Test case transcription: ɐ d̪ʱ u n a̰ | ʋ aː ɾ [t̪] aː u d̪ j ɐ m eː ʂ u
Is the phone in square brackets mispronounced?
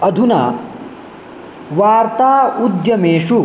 no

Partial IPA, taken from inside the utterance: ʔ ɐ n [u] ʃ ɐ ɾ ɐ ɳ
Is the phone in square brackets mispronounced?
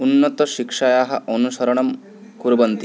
no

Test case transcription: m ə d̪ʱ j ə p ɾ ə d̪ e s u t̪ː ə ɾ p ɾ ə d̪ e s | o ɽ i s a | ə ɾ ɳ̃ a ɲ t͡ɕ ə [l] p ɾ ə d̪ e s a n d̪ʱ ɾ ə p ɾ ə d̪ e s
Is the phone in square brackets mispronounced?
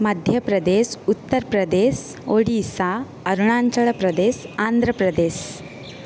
yes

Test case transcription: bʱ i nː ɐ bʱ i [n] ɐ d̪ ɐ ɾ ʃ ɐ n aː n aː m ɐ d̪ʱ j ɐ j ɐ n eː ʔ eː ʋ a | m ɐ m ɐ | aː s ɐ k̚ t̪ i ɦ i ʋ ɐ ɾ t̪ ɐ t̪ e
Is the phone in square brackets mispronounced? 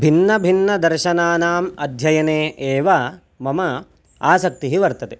yes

